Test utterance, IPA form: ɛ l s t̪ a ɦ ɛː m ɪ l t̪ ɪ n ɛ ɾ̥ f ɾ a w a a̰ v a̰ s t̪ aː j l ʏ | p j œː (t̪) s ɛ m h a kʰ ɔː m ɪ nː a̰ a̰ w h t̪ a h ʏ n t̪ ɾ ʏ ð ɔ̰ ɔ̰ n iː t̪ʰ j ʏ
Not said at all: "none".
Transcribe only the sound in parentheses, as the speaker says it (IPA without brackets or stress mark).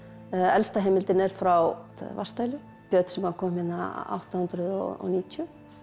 t̪